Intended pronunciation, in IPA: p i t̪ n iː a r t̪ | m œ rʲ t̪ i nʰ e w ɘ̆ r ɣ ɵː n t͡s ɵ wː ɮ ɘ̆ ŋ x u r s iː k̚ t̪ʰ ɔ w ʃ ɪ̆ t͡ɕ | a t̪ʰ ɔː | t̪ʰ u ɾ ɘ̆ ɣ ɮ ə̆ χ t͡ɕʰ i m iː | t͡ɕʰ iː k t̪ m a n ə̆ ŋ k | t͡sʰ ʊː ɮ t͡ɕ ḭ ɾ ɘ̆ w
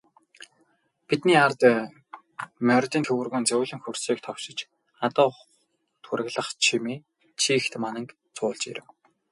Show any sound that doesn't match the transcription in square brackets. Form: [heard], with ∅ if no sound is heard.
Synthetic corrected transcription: p i t̪ n iː a r t̪ | m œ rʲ t̪ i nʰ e w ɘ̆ r ɣ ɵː n t͡s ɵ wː ɮ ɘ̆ ŋ x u r s iː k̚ t̪ʰ ɔ w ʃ ɪ̆ t͡ɕ | a [t̪] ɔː | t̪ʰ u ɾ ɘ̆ ɣ ɮ ə̆ χ t͡ɕʰ i m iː | t͡ɕʰ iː [x] t̪ m a n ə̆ ŋ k | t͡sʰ ʊː ɮ t͡ɕ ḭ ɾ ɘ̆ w